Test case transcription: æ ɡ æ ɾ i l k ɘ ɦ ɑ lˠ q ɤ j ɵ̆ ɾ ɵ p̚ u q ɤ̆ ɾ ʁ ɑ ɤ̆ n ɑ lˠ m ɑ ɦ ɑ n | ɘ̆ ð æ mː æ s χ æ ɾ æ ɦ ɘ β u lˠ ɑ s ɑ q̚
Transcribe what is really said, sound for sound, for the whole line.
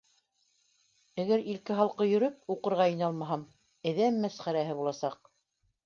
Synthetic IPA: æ ɡ æ ɾ i l k ɘ ɦ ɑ lˠ q ɤ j ɵ̆ ɾ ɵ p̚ u q ɤ̆ ɾ ʁ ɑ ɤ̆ n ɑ lˠ m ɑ ɦ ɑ m | ɘ̆ ð æ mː æ s χ æ ɾ æ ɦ ɘ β u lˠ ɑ s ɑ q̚